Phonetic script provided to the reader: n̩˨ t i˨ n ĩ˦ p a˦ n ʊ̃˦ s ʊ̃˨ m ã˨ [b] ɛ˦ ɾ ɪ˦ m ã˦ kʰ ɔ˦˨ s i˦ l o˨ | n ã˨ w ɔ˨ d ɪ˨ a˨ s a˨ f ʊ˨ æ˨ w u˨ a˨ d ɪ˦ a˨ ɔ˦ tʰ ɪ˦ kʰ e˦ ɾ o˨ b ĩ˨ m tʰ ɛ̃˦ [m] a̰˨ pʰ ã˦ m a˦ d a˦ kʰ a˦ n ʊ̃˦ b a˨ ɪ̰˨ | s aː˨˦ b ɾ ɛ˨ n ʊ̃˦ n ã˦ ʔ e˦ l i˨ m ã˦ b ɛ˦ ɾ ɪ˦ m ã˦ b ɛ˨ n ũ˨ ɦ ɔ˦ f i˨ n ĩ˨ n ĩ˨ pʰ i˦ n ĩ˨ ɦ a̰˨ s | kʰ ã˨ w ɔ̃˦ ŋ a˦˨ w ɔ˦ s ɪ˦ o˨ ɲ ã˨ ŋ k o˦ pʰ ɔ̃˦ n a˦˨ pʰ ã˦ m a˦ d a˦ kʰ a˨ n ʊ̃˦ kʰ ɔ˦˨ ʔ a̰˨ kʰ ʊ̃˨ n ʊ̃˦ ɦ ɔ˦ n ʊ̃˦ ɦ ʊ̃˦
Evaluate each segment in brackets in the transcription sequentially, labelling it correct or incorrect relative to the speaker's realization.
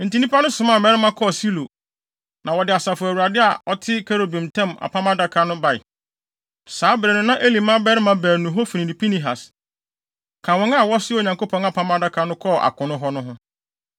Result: incorrect: m, correct

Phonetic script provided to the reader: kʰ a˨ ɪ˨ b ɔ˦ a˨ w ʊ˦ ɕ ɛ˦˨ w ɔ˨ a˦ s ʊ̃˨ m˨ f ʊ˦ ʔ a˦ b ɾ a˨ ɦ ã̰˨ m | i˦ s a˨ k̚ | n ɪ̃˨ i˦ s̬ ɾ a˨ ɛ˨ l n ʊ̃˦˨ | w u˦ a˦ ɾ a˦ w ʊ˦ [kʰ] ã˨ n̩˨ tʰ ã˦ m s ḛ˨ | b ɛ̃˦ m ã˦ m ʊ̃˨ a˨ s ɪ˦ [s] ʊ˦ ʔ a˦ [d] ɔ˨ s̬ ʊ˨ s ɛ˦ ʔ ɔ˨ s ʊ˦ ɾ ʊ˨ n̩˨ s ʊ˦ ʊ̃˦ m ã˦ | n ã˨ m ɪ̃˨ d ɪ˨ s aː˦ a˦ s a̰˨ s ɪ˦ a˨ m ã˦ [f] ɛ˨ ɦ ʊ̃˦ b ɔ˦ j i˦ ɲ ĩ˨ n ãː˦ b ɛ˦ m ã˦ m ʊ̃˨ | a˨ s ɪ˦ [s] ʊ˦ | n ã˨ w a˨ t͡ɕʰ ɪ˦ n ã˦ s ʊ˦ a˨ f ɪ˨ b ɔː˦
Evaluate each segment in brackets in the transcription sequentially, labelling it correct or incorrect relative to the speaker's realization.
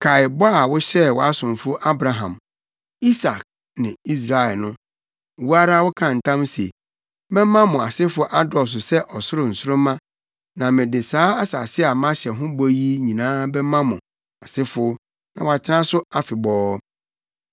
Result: correct, incorrect: f, correct, incorrect: ɕ, incorrect: f

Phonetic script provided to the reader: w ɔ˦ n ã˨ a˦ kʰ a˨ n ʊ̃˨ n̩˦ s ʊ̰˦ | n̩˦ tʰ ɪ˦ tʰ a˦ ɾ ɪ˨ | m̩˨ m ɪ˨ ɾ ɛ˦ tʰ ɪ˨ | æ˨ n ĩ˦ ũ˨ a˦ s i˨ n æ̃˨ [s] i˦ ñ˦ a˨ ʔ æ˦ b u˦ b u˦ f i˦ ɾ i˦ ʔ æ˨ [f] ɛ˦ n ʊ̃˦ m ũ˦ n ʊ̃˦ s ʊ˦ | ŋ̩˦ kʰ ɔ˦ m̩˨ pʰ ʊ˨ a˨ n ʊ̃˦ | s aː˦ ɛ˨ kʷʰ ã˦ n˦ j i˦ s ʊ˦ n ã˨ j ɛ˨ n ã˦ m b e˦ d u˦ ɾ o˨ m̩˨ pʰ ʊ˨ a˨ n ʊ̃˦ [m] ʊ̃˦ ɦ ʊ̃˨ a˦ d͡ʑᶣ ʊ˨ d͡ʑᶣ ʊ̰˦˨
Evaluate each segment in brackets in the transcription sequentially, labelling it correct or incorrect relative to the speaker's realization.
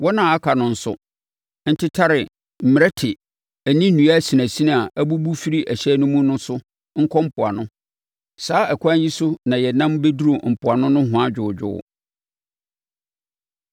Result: correct, incorrect: ɕ, incorrect: n

